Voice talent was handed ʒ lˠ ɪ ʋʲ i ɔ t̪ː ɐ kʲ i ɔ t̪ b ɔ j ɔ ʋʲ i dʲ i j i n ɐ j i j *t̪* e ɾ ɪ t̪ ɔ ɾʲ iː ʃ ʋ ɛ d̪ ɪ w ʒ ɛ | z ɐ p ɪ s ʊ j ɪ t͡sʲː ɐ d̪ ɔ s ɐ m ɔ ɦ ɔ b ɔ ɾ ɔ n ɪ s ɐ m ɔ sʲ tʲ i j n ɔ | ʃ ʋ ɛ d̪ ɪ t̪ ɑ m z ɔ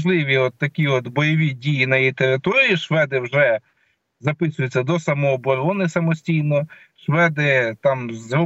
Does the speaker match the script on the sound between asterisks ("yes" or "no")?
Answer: yes